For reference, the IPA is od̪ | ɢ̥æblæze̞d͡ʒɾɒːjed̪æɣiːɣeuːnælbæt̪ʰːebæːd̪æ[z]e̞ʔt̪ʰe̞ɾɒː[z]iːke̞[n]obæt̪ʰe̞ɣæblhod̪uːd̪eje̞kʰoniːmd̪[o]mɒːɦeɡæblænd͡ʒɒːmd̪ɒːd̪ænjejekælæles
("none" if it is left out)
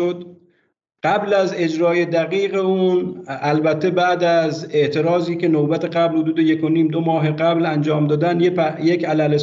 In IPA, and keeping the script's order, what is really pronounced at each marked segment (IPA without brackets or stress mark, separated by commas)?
z, z, n, o